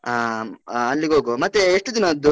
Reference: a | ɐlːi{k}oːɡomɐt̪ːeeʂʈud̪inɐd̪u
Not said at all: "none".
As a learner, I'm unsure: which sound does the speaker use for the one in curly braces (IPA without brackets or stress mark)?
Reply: ɡ